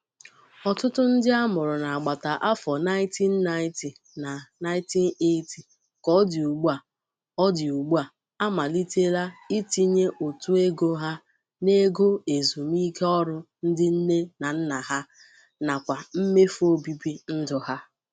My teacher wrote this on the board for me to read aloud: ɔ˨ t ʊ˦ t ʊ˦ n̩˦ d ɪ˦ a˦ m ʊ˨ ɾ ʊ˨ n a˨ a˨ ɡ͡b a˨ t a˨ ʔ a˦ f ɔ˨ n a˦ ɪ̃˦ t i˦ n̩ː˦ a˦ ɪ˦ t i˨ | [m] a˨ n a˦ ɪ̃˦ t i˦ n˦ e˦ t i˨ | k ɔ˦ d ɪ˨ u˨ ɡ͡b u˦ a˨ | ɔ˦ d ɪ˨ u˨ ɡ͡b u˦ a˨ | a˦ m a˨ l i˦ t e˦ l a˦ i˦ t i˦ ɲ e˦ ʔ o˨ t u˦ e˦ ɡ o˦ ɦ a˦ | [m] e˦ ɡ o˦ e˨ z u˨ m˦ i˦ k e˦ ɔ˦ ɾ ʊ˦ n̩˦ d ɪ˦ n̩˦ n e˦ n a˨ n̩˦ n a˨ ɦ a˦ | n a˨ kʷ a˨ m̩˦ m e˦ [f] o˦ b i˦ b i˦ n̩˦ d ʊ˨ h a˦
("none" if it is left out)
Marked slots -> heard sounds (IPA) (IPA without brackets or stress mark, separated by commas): n, n, f